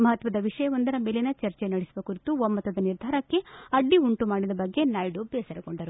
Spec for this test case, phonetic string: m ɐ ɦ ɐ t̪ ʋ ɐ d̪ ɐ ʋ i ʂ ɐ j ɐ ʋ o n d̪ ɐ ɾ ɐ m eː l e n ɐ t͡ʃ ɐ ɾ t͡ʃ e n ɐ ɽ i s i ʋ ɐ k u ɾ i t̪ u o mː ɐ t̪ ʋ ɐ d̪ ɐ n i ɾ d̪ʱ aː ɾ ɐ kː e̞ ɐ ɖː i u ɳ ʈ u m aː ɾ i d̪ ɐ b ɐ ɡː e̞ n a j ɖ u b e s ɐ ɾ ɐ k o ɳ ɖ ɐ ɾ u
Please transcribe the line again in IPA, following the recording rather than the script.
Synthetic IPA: m ɐ ɦ ɐ t̪ ʋ ɐ d̪ ɐ ʋ i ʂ ɐ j ɐ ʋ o n d̪ ɐ ɾ ɐ m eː l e n ɐ t͡ʃ ɐ ɾ t͡ʃ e n ɐ ɽ i s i ʋ ɐ k u ɾ i t̪ u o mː ɐ t̪ ʋ ɐ d̪ ɐ n i ɾ d̪ʱ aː ɾ ɐ kː e̞ ɐ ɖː i u ɳ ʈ u m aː ɽ i d̪ ɐ b ɐ ɡː e̞ n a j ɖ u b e s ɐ ɾ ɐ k o ɳ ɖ ɐ ɾ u